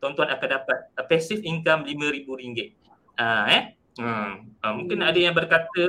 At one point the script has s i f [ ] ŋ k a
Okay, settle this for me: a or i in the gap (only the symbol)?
i